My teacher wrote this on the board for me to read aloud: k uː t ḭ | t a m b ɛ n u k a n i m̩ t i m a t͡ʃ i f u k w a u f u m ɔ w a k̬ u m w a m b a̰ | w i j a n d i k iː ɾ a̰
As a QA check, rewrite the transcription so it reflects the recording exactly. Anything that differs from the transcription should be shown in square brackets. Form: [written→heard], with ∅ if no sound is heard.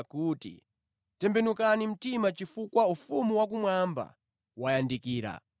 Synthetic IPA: k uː t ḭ | t [a→ɛ] m b ɛ n u k a n i m̩ t i m a t͡ʃ i f u k w a u f u m [ɔ→u] w a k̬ u m w a m b a̰ | w [i→a] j a n d i k iː ɾ a̰